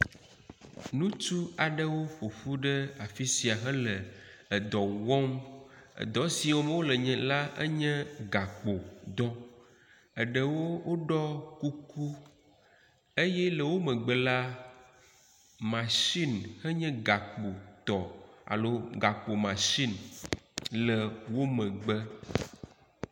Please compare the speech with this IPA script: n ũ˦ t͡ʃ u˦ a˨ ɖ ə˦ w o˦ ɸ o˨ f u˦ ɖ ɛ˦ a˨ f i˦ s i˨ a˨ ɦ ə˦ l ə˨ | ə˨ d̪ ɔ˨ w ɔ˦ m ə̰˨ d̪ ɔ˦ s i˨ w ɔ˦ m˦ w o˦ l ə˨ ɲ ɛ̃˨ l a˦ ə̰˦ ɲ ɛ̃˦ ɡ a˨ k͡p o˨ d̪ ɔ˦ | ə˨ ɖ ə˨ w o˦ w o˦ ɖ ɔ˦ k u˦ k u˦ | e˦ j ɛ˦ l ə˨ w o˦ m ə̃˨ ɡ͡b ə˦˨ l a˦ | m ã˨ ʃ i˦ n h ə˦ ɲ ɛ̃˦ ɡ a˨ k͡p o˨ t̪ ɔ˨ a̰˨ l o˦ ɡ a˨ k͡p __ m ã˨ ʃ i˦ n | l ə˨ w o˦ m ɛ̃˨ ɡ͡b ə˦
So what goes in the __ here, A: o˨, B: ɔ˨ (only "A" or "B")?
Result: A